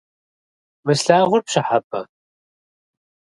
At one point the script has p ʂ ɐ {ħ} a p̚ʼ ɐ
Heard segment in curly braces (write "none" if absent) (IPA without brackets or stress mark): ħ